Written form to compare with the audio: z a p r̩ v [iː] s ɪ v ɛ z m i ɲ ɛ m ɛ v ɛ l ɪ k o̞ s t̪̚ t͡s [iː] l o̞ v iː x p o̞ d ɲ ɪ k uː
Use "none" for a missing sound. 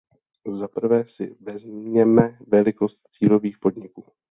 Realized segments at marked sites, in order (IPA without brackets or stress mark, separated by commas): ɛː, iː